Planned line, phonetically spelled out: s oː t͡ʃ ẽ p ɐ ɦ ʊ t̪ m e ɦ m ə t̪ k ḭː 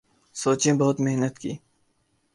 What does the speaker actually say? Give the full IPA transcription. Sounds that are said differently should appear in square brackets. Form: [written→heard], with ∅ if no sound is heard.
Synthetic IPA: s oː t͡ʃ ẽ [p→b] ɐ ɦ ʊ t̪ m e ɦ [m→n] ə t̪ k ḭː

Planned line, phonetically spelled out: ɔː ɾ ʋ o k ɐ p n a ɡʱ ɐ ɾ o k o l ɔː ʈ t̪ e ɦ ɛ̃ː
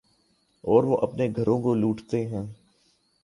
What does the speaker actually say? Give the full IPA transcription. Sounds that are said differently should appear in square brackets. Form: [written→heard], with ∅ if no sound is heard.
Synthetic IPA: ɔː ɾ ʋ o [k→ʔ] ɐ p n [a→e] ɡʱ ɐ ɾ [o→õ] k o l [ɔː→uː] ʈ t̪ e ɦ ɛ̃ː

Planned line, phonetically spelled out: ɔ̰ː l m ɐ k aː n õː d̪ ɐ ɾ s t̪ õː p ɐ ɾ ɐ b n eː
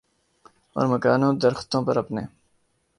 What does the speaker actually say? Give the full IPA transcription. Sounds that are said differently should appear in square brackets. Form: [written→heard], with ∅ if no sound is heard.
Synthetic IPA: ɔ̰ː [l→ɾ] m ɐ k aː n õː d̪ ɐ ɾ [s→x] t̪ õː p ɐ ɾ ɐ [b→p] n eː

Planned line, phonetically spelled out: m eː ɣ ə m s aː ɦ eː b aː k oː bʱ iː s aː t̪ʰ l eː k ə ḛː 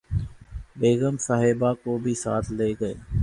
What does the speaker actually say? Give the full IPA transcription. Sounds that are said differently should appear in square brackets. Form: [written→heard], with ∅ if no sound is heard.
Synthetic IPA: [m→b] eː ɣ ə m s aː ɦ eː b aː k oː bʱ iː s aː t̪ʰ l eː [k→ɡ] ə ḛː

